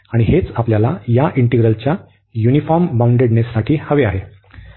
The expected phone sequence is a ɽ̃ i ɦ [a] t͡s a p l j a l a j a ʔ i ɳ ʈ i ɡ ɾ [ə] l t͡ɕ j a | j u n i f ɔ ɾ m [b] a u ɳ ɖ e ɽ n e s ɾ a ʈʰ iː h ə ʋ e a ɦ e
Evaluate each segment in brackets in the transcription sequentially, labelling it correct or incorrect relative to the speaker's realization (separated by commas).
incorrect, correct, correct